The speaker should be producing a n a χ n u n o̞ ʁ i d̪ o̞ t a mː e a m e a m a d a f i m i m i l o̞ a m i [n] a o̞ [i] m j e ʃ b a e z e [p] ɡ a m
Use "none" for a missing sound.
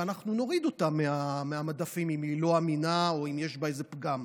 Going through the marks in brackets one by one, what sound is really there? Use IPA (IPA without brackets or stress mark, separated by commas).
n, i, p